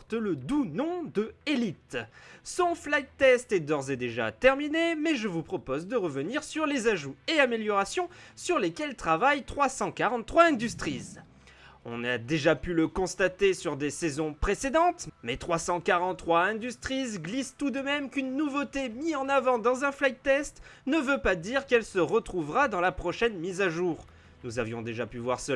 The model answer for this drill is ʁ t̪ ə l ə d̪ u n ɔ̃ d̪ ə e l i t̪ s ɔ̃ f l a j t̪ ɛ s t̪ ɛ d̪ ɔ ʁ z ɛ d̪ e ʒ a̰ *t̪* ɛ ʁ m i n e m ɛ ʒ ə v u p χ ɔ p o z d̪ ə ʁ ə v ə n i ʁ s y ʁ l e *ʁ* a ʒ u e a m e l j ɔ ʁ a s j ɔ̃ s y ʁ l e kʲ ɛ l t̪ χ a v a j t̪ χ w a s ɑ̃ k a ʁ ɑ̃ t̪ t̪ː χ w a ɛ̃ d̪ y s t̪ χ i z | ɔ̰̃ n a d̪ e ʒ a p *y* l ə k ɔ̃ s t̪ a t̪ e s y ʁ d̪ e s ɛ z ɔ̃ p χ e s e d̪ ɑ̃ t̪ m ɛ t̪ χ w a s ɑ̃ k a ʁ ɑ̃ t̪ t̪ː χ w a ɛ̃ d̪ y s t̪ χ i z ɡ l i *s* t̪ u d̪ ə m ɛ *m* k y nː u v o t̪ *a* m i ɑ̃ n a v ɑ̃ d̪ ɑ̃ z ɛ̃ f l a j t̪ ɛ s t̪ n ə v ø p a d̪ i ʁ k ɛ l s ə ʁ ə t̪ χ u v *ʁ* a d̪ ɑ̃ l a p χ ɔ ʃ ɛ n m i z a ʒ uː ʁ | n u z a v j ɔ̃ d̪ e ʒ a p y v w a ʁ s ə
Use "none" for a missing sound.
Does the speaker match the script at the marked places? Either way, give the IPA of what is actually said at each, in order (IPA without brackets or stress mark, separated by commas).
t̪, z, y, s, m, e, ʁ